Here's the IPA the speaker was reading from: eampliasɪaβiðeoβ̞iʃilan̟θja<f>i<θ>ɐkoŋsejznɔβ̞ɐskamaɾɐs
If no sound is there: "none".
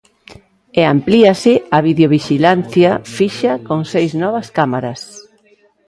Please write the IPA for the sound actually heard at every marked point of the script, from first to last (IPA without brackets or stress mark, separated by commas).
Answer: f, ʃ